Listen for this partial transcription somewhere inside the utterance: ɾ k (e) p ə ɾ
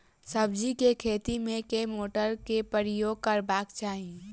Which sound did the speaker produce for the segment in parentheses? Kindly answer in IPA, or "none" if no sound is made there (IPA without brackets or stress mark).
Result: e